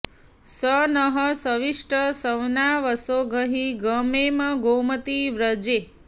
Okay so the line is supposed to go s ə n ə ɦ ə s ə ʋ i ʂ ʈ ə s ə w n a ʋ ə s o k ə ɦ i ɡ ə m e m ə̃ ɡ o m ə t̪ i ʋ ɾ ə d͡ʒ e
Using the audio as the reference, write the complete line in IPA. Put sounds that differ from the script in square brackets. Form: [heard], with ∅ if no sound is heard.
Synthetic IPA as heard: s ə n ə ɦ ə s ə ʋ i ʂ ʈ ə s ə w n a ʋ ə s o [ɡ] ə ɦ i ɡ ə m e m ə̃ ɡ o m ə t̪ i ʋ ɾ ə d͡ʒ e